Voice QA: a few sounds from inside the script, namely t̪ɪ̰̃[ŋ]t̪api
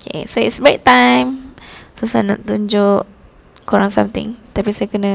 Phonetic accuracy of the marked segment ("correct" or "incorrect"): correct